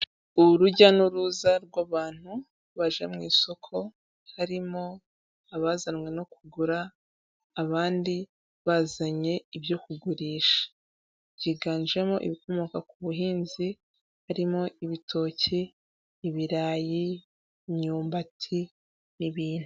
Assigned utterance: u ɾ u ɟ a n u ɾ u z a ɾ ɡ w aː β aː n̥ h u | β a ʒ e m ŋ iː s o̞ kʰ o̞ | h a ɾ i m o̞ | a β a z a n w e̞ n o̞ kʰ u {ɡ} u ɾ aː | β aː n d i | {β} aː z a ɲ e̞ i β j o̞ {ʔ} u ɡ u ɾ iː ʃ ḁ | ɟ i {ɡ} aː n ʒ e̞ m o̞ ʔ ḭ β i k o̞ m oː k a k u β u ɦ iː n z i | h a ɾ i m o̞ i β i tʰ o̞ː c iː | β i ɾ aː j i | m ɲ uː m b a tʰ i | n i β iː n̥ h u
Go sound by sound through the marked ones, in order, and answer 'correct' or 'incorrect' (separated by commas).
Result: correct, correct, incorrect, correct